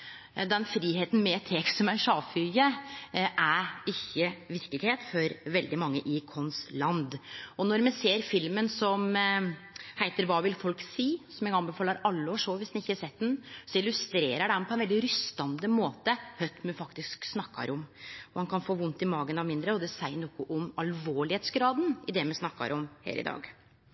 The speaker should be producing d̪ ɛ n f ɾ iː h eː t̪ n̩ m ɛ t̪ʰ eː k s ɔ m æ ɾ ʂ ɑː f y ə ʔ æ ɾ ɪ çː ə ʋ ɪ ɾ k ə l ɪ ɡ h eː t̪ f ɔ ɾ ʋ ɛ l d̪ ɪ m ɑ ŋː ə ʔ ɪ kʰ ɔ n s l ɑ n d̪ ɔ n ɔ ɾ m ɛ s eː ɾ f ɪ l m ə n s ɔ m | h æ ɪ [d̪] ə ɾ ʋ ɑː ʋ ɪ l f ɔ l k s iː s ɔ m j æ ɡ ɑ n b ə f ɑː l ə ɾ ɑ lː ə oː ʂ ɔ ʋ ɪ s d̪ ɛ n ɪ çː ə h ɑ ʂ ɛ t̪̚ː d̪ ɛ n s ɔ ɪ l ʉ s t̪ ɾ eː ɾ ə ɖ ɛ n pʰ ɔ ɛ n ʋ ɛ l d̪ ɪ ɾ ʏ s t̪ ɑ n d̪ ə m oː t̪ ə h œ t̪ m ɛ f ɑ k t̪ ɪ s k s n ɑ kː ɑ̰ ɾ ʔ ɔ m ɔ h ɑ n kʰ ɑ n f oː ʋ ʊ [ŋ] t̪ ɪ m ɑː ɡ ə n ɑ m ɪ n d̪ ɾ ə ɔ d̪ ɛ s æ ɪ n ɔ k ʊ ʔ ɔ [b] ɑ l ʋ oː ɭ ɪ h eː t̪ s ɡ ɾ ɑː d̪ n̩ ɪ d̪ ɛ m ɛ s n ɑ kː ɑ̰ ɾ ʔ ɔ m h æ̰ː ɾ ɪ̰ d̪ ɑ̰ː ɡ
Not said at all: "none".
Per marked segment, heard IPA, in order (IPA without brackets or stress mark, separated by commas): t̪, n, m